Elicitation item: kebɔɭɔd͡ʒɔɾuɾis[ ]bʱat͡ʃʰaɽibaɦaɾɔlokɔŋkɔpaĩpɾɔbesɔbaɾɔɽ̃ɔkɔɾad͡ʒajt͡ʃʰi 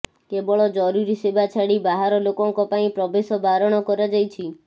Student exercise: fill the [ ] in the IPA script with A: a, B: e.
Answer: B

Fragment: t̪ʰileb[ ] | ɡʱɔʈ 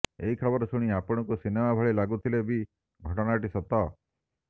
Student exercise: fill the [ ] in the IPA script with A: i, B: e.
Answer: A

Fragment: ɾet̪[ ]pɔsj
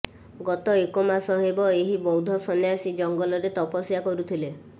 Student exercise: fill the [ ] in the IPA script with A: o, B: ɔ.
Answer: B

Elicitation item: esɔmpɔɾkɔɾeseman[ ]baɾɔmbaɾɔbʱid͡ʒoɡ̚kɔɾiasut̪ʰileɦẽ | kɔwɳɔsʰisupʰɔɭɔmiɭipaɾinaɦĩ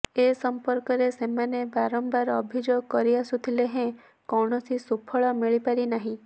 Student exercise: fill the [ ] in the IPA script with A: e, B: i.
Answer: A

